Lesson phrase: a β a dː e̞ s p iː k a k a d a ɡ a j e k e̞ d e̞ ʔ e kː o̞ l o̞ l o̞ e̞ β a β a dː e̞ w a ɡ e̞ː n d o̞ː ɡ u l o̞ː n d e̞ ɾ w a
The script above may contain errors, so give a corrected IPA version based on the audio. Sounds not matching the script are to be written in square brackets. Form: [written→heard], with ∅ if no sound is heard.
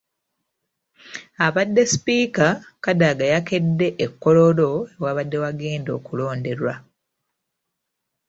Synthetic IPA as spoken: a β a dː e̞ s p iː k a k a d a ɡ a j [e→a] k e̞ [d→dː] e̞ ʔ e kː o̞ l o̞ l o̞ e̞ [β→w] a β a dː e̞ w a ɡ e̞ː n d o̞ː [ɡ→k] u l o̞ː n d e̞ ɾ w a